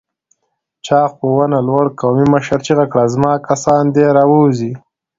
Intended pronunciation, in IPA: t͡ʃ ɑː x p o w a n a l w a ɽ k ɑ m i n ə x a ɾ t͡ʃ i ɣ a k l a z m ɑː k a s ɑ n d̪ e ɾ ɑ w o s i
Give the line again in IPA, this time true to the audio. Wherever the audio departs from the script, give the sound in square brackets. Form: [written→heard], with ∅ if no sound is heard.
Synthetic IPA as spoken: t͡ʃ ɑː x p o w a n a l w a ɽ k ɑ m i [n→m] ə [x→ʃ] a ɾ t͡ʃ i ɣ a k [l→ɽ] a z m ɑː k a s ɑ n d̪ e ɾ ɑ w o [s→z] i